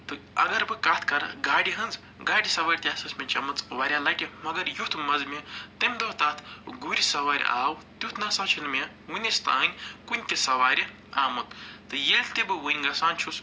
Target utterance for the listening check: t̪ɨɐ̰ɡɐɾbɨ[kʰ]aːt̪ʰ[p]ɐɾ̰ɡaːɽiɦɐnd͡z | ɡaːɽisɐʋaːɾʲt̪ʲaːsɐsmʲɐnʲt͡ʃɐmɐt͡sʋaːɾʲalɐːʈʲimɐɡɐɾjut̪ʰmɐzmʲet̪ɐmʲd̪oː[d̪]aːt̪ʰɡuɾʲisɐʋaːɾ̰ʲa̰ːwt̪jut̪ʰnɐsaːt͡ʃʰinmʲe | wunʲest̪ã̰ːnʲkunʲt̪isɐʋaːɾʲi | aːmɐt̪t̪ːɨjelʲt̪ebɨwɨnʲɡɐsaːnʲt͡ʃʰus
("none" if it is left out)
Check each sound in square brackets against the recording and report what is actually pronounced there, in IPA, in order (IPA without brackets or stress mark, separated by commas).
k, k, t̪